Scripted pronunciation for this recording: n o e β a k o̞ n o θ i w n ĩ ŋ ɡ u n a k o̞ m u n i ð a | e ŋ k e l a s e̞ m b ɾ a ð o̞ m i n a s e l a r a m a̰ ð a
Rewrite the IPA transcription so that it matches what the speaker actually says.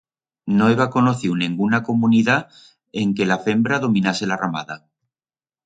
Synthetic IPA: n o e β a k o̞ n o θ i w n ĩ ŋ ɡ u n a k o̞ m u n i ð a | e ŋ k e l a f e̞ m b ɾ a ð o̞ m i n a s e l a r a m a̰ ð a